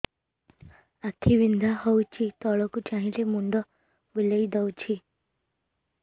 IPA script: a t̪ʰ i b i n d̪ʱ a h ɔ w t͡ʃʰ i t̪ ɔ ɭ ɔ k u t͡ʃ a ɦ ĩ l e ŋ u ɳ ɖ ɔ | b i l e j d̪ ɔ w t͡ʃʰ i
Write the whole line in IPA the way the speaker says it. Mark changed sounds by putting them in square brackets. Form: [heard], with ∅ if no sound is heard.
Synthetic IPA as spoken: a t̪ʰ i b i n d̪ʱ a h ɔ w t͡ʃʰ i t̪ ɔ ɭ ɔ k u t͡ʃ a ɦ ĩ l e [m] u ɳ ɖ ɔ | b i l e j d̪ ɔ w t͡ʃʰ i